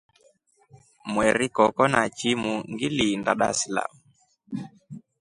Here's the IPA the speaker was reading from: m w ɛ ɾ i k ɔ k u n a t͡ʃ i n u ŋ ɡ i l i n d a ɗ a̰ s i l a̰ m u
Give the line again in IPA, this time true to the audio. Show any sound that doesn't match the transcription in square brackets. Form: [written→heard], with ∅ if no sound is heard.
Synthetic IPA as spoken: m w ɛ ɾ i k ɔ k [u→ɔ] n a t͡ʃ i [n→m] u ŋ ɡ i l i n d a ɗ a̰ s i l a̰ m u